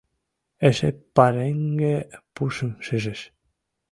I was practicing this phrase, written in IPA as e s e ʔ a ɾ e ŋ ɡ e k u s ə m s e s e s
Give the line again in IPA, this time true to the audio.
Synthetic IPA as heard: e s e p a ɾ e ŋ ɡ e p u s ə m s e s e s